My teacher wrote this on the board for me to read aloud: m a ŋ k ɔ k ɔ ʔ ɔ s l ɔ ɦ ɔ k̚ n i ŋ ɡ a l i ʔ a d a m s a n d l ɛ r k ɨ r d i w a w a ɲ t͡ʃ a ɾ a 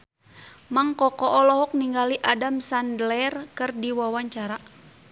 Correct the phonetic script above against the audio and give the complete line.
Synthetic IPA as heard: m a ŋ k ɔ k ɔ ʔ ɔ l ɔ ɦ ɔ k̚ n i ŋ ɡ a l i ʔ a d a m s a n d l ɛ r k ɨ r d i w a w a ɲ t͡ʃ a ɾ a